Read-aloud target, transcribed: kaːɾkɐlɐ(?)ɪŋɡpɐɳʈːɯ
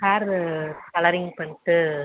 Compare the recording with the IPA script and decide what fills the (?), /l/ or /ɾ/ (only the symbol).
ɾ